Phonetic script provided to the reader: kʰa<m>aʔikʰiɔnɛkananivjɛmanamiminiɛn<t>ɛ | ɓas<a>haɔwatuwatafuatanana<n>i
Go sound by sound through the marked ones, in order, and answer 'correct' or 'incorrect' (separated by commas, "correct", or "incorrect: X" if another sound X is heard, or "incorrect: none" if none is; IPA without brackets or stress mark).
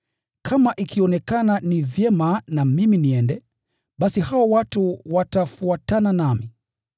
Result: correct, incorrect: d, incorrect: i, incorrect: m